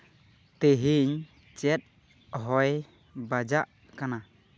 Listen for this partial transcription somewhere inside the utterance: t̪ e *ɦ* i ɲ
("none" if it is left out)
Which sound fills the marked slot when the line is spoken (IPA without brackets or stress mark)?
ɦ